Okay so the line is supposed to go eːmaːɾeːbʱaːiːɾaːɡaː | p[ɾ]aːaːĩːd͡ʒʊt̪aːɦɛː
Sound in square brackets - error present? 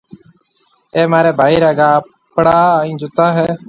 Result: yes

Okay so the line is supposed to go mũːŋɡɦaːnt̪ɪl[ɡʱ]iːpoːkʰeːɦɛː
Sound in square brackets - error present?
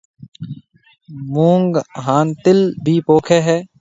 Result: yes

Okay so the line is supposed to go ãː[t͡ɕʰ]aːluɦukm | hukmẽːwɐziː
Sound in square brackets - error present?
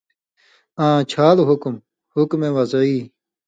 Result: no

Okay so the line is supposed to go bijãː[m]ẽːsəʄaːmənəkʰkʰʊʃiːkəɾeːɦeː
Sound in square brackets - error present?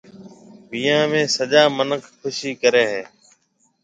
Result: no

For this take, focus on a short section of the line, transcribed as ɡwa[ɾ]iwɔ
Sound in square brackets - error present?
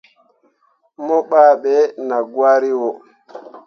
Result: no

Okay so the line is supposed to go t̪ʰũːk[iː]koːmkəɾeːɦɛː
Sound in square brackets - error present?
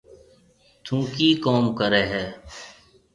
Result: no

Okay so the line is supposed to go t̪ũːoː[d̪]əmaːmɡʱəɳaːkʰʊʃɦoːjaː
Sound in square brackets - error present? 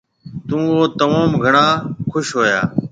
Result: yes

